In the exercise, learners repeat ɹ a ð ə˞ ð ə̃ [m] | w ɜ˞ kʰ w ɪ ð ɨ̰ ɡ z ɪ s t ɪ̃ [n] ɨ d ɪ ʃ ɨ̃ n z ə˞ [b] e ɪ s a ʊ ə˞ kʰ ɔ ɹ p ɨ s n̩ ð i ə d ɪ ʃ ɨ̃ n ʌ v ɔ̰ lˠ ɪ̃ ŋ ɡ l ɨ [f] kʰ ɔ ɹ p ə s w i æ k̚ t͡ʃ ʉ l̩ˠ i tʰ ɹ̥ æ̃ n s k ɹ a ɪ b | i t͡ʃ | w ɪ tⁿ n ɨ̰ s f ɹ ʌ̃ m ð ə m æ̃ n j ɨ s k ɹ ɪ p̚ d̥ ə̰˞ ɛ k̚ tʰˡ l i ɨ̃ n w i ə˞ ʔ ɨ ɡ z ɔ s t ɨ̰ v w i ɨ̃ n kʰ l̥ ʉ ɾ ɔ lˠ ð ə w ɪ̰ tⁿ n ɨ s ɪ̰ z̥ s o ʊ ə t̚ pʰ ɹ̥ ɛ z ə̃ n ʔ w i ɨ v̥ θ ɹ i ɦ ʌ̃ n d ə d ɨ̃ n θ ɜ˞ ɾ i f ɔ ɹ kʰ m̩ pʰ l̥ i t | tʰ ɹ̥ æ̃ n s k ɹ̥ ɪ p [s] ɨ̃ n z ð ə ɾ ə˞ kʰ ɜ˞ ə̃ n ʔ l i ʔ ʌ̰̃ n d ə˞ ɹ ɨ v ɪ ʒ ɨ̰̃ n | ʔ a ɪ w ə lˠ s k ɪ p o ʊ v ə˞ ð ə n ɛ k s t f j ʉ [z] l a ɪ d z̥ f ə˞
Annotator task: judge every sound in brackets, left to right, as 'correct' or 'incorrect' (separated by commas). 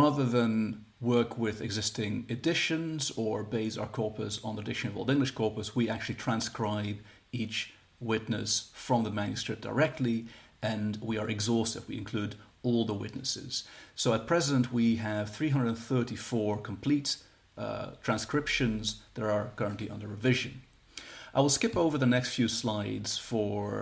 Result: incorrect, incorrect, correct, incorrect, incorrect, incorrect